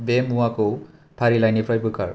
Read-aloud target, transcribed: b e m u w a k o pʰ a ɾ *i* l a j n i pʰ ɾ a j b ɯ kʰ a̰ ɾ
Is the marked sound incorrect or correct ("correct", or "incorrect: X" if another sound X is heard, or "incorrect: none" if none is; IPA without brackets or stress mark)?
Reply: correct